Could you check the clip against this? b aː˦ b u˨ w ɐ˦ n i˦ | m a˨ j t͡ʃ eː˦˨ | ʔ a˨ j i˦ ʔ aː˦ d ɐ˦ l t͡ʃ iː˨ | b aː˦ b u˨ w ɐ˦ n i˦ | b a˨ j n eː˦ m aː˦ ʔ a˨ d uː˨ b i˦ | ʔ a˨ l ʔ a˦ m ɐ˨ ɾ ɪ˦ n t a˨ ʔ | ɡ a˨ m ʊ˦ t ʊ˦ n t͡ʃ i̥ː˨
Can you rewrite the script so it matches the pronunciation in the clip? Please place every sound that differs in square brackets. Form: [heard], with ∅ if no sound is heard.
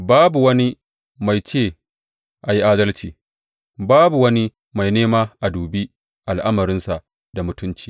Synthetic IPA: b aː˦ b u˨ w ɐ˦ n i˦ | m a˨ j t͡ʃ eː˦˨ | ʔ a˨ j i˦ ʔ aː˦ d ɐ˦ l t͡ʃ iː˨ | b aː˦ b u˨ w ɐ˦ n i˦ | [m] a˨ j n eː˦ m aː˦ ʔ a˨ d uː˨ b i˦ | ʔ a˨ l ʔ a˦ m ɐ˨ ɾ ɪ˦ n [s] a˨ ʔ | [d] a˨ m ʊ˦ t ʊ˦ n t͡ʃ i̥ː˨